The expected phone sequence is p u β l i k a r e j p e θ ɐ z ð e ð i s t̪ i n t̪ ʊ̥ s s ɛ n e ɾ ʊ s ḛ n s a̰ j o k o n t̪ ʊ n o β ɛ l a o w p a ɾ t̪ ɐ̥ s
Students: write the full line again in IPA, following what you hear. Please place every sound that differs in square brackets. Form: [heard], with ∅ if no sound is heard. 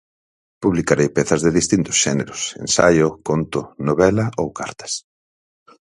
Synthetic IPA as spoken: p u β l i k a [ɾ] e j p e θ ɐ z ð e ð i s t̪ i n t̪ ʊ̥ s [ʃ] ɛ n e ɾ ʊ s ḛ n s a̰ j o k o n t̪ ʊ n o β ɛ l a o w [k] a ɾ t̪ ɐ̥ s